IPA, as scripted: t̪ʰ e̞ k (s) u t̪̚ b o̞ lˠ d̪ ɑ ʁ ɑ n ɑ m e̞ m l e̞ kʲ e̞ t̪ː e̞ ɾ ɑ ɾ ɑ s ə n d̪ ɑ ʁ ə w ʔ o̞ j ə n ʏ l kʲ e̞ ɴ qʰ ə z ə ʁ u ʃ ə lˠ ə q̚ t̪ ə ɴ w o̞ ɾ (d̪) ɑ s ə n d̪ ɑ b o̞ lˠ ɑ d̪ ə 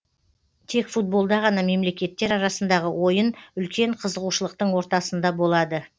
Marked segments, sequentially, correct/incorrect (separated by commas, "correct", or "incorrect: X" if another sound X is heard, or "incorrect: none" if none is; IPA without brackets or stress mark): incorrect: f, incorrect: t̪